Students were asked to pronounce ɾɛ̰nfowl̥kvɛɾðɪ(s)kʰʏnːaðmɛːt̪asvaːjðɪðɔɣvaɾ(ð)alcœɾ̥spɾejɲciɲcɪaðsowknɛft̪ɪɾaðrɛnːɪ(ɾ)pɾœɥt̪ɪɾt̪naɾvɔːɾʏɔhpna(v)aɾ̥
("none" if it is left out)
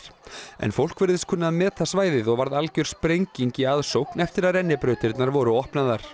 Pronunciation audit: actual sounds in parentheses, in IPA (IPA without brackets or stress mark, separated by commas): s, ð, none, ð